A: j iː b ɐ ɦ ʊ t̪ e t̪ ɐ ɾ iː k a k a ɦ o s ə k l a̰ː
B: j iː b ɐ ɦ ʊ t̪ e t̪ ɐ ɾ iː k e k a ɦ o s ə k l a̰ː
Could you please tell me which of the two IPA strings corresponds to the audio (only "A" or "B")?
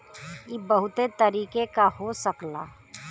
B